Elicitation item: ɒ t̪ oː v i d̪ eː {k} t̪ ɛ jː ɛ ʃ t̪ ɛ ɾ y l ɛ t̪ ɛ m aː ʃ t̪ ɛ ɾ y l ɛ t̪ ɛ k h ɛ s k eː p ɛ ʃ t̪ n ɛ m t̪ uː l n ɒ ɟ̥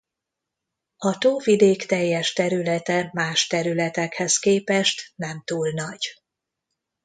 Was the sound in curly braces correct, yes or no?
yes